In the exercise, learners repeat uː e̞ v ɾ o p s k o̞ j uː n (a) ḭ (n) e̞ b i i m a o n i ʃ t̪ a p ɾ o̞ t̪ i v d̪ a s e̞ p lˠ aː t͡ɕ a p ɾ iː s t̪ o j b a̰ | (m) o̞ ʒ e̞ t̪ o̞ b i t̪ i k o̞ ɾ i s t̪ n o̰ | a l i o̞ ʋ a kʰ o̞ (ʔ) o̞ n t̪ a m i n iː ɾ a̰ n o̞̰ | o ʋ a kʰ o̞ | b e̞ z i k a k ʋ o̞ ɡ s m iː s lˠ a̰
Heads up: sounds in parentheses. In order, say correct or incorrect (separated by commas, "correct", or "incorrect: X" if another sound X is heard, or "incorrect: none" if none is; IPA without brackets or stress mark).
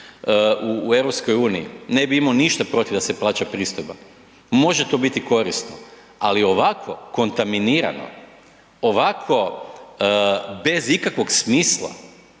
incorrect: i, correct, correct, incorrect: k